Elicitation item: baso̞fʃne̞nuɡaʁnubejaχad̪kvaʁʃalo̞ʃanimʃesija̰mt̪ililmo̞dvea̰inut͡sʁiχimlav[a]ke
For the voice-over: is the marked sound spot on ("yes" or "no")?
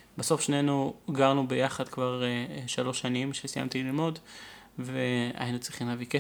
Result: no